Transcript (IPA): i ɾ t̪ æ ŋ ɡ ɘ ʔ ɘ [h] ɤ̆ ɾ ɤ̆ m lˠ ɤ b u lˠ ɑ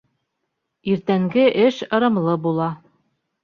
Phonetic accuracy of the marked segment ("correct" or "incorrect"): incorrect